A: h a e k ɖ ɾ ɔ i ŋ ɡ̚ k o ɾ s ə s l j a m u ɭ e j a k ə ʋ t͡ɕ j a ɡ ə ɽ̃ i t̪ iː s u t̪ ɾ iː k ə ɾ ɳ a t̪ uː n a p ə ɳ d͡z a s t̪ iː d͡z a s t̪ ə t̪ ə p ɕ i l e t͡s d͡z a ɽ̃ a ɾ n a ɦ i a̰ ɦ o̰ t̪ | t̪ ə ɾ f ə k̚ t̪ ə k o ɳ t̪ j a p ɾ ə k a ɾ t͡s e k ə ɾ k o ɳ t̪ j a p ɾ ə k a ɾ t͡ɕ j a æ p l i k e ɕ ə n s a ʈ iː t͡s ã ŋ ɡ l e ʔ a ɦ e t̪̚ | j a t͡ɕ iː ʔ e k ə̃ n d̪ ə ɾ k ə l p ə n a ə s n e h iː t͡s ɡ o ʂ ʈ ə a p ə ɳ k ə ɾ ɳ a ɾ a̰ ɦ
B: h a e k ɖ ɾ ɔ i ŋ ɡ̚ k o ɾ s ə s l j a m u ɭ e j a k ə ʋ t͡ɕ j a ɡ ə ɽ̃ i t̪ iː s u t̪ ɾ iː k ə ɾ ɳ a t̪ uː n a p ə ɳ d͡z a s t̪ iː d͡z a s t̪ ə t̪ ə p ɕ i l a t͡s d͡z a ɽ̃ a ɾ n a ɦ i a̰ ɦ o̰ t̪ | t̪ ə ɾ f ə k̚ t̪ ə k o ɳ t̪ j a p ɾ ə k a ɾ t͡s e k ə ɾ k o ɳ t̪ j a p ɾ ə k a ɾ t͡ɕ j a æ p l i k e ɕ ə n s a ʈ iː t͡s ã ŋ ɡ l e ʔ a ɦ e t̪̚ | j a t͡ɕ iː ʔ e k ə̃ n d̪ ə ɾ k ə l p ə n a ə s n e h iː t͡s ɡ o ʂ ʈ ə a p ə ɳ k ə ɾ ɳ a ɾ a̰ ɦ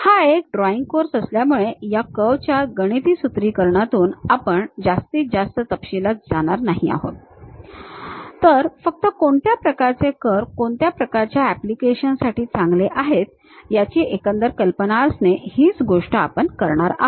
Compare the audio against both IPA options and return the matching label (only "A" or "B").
B